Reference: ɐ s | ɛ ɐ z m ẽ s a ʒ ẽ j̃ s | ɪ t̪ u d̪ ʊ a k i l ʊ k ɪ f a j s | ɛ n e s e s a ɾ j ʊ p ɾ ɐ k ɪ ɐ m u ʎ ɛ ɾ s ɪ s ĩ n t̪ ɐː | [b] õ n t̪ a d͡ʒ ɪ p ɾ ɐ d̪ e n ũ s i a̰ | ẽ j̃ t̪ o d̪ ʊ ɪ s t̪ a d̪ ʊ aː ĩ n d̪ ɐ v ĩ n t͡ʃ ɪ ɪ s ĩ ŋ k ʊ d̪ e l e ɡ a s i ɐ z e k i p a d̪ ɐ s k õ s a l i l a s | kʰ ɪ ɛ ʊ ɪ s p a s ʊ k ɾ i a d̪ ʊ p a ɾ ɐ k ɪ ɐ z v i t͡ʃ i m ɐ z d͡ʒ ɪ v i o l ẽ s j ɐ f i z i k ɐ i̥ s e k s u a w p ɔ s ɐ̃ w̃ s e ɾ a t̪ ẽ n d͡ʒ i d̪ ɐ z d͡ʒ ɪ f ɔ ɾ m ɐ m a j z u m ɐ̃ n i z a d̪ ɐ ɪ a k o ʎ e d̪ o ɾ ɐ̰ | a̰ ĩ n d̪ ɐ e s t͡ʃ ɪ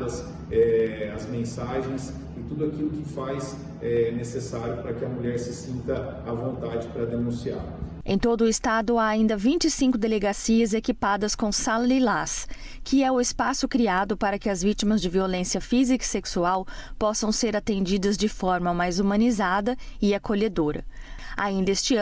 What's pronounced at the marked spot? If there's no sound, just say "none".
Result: v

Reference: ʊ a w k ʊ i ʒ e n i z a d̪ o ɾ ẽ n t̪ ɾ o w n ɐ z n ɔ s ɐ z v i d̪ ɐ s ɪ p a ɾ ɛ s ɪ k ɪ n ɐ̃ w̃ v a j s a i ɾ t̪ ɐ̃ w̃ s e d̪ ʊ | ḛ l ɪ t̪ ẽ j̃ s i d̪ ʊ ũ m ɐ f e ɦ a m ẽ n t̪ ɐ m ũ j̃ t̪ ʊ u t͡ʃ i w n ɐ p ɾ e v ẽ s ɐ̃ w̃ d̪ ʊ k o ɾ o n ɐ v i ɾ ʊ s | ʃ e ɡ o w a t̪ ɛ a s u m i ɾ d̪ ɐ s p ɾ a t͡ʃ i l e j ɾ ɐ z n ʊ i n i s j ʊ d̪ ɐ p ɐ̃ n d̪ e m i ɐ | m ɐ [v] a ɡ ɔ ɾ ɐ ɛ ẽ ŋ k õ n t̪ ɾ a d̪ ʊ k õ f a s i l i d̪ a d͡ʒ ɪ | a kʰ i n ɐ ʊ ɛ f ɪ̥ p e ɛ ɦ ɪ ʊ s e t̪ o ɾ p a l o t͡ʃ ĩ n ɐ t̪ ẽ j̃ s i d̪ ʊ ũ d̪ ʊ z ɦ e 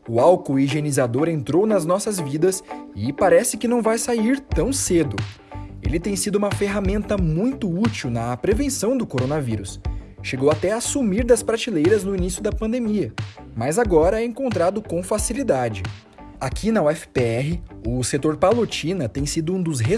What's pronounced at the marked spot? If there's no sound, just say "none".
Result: z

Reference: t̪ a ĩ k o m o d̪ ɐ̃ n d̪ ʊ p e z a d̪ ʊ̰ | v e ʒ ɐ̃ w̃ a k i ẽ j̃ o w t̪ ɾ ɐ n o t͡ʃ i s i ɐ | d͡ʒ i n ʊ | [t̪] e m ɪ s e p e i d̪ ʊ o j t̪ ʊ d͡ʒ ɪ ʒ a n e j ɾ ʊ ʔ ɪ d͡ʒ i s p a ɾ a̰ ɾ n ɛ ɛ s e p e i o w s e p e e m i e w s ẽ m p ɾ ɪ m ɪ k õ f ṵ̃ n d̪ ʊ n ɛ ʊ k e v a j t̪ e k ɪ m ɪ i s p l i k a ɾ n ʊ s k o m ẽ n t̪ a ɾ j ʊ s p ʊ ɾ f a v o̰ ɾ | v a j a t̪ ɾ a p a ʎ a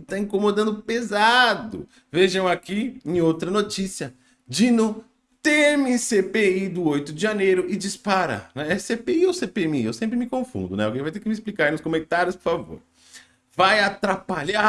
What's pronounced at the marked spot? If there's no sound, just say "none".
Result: t̪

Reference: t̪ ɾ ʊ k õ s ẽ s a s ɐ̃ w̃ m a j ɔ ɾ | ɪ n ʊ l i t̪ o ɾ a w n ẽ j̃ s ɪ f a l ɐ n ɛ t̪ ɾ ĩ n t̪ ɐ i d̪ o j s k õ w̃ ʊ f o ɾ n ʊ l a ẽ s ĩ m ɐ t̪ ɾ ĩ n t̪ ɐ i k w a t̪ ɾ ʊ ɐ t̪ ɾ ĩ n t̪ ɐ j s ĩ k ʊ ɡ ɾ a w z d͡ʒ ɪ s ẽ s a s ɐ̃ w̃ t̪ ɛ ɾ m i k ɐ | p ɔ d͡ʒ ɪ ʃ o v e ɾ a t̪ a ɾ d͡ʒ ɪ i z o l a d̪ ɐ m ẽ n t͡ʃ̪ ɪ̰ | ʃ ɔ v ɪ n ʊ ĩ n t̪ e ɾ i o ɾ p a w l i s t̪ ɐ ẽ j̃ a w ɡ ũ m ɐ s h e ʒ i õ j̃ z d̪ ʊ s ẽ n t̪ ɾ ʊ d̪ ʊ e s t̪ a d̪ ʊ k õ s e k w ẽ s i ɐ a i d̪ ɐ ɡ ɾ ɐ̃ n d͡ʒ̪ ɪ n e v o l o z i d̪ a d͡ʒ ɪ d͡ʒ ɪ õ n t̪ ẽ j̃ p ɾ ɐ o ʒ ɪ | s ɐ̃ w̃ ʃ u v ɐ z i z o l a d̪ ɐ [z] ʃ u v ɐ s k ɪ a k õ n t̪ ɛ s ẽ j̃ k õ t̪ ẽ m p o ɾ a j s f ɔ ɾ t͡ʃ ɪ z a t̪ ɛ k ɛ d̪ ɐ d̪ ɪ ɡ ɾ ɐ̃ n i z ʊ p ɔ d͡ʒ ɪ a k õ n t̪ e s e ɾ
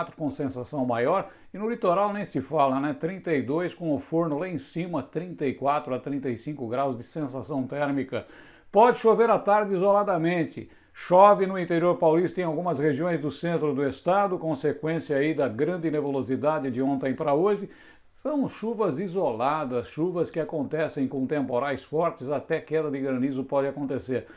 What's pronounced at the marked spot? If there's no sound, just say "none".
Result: s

